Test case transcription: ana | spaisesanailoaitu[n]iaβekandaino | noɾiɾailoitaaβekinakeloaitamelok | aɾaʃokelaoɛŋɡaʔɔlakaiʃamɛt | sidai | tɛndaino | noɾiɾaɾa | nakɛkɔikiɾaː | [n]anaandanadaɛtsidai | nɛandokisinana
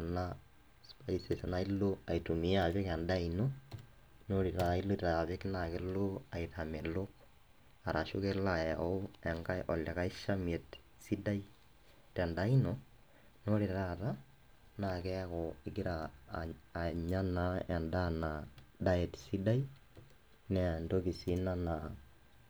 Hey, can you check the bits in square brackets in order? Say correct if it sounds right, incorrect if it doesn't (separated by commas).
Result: incorrect, incorrect